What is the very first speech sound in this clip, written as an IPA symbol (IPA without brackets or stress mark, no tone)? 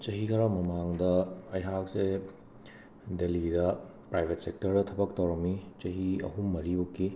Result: t͡ʃ